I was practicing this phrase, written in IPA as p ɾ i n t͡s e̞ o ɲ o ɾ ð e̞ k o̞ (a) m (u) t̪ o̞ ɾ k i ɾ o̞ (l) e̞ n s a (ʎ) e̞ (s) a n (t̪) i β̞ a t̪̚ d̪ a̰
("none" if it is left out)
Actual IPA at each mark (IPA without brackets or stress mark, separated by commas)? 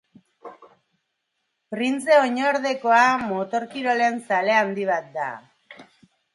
a, o, l, l, none, d̪